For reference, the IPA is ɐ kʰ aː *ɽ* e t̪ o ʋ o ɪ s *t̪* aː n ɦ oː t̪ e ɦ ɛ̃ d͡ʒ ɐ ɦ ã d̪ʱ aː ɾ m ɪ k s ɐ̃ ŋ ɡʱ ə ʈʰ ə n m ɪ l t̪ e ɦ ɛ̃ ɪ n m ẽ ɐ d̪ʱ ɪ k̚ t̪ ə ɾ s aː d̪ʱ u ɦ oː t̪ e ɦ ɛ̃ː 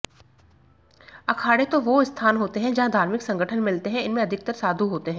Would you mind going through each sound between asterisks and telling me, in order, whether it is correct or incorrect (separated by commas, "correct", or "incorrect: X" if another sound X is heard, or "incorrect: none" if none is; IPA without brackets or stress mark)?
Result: correct, incorrect: t̪ʰ